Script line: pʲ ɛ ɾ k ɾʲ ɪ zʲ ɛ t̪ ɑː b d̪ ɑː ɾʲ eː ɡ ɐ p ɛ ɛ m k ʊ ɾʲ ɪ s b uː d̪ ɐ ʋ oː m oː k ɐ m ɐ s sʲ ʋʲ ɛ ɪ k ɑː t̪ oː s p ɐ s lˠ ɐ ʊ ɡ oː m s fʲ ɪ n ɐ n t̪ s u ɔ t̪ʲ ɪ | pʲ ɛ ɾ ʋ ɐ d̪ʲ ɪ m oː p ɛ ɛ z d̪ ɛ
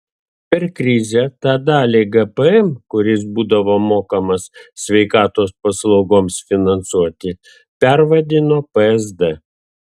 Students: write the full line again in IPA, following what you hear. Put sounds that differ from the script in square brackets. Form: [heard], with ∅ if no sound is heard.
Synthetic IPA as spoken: pʲ ɛ ɾ k ɾʲ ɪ zʲ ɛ t̪ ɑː [∅] d̪ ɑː [lʲ] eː ɡ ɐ p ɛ ɛ m k ʊ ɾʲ ɪ s b uː d̪ ɐ ʋ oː m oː k ɐ m ɐ s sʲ ʋʲ ɛ ɪ k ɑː t̪ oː s p ɐ s lˠ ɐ ʊ ɡ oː m s fʲ ɪ n ɐ n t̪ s u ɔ t̪ʲ ɪ | pʲ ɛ ɾ ʋ ɐ d̪ʲ ɪ [n] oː p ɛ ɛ z d̪ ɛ